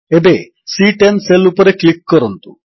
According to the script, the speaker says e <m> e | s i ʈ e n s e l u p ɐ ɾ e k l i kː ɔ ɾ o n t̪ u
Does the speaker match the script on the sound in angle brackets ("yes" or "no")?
no